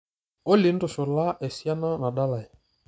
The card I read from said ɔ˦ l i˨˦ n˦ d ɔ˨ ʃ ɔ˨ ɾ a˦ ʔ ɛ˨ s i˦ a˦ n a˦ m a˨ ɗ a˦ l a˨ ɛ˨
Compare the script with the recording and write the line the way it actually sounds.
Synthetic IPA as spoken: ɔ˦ l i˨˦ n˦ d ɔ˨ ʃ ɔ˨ l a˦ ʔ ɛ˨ s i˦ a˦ n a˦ n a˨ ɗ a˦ l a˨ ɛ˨